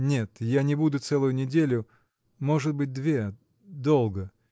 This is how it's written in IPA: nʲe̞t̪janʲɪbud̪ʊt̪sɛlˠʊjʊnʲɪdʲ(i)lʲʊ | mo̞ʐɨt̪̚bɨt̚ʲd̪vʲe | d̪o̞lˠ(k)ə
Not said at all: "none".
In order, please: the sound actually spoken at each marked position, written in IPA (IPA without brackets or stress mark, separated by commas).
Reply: e, ɡ